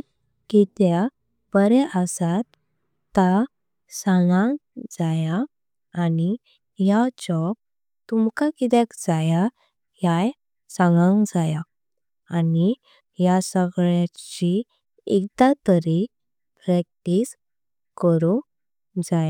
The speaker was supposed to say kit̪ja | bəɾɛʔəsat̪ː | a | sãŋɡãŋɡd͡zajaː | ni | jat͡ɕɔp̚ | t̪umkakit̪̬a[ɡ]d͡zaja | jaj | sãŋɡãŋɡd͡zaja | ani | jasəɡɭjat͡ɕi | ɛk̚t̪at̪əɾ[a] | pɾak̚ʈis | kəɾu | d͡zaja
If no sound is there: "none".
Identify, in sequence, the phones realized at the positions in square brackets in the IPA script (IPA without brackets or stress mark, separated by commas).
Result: k, i